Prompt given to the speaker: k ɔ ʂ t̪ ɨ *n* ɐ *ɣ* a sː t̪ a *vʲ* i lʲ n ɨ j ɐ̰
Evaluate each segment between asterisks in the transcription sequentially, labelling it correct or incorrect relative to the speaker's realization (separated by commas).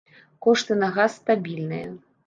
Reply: correct, correct, incorrect